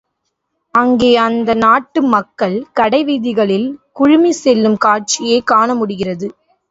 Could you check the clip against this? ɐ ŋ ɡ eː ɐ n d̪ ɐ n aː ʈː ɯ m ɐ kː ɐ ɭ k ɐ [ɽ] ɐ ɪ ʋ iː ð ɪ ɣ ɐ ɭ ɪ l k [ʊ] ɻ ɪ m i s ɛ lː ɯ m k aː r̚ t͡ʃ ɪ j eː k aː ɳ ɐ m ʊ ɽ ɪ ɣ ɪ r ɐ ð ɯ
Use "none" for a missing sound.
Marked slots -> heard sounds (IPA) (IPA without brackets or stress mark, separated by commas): ɽ, ʊ